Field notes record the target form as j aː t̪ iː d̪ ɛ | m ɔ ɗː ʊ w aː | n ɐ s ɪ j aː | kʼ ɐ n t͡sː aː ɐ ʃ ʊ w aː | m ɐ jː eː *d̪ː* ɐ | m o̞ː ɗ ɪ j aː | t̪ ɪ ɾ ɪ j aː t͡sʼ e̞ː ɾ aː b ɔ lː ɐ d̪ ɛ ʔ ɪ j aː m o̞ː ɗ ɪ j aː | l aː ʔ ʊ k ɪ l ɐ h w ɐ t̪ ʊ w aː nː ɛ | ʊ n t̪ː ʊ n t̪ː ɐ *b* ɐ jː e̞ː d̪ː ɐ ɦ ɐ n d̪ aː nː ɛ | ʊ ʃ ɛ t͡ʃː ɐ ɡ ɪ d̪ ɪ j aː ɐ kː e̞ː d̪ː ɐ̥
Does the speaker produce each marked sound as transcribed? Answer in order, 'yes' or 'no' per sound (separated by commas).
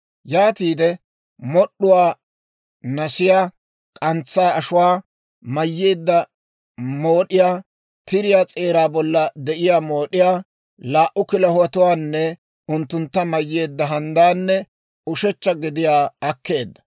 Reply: yes, no